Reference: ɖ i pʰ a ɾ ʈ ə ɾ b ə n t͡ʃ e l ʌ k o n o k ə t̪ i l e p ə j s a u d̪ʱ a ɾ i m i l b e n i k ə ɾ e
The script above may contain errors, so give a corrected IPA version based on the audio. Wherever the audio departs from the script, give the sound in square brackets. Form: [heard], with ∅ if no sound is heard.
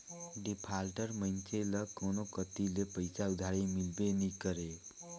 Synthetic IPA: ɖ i pʰ a [l] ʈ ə ɾ [m] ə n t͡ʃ e l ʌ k o n o k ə t̪ i l e p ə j s a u d̪ʱ a ɾ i m i l b e n i k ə ɾ e

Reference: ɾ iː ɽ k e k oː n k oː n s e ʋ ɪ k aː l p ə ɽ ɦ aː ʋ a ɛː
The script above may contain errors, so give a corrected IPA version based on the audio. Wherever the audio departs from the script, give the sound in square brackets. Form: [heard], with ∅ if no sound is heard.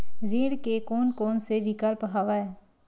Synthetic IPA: ɾ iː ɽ k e k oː n k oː n s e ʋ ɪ k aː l p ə [∅] ɦ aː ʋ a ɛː

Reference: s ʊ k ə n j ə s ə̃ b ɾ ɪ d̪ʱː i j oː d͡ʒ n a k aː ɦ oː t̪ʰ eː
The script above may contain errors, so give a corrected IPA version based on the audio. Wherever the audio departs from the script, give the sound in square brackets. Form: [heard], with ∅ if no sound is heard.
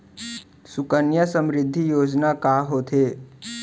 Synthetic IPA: s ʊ k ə n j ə s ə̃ [m] ɾ ɪ d̪ʱː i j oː d͡ʒ n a k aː ɦ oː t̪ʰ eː

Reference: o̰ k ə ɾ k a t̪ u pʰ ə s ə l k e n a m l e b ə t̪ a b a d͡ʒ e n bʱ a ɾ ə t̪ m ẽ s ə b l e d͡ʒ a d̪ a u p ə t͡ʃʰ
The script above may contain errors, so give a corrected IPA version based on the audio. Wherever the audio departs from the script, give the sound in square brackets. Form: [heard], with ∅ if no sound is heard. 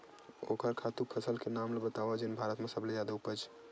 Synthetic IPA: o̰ k ə ɾ [kʰ] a t̪ u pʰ ə s ə l k e n a m l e b ə t̪ a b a d͡ʒ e n bʱ a ɾ ə t̪ m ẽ s ə b l e d͡ʒ a d̪ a u p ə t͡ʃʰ

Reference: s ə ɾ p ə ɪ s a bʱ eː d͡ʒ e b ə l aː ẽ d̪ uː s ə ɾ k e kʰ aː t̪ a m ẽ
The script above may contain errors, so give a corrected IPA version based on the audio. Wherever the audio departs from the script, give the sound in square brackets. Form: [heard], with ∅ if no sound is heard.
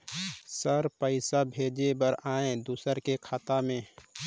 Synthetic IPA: s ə ɾ p ə ɪ s a bʱ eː d͡ʒ e b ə [ɾ] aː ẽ d̪ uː s ə ɾ k e kʰ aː t̪ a m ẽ

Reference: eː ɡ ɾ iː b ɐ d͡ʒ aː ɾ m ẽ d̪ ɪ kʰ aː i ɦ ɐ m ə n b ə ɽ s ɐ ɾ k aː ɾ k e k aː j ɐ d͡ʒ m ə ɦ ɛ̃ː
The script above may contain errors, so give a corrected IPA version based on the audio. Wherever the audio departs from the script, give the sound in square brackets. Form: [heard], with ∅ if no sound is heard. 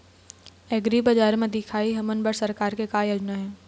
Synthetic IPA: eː ɡ ɾ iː b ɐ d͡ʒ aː ɾ m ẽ d̪ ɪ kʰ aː i ɦ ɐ m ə n b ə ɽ s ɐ ɾ k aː ɾ k e k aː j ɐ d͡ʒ [n] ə ɦ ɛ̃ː

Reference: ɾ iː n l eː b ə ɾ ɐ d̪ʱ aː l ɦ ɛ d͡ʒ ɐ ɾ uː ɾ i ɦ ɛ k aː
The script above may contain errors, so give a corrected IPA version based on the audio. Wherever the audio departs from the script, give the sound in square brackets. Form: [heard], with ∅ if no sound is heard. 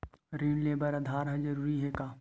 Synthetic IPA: ɾ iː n l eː b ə ɾ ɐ d̪ʱ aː [ɾ] ɦ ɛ d͡ʒ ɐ ɾ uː ɾ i ɦ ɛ k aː

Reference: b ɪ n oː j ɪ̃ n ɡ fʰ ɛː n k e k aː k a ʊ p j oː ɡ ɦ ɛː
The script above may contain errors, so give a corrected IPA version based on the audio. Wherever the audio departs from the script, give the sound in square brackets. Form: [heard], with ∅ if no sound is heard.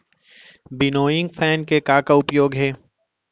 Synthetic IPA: b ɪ n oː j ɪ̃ [ŋ] ɡ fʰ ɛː n k e k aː k a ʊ p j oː ɡ ɦ ɛː

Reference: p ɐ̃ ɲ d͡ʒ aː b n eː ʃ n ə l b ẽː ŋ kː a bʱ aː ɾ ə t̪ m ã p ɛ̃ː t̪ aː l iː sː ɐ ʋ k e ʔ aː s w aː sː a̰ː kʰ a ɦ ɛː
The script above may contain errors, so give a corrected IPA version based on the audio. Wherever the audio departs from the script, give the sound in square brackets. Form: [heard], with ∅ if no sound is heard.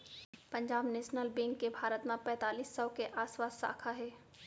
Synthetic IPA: p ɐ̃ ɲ d͡ʒ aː b n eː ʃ n ə l b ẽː ŋ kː [e] bʱ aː ɾ ə t̪ m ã p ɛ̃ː t̪ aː l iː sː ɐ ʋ k e ʔ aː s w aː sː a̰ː kʰ a ɦ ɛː

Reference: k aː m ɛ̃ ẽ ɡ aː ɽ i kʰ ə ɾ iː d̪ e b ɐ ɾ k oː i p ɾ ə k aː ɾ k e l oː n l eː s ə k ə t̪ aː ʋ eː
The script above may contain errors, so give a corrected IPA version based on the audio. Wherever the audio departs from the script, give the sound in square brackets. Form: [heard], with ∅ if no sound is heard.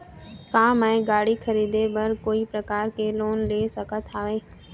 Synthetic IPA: k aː m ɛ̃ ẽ ɡ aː ɽ i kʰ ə ɾ iː d̪ e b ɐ ɾ k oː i p ɾ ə k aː ɾ k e l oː n l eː s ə k ə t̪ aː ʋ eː

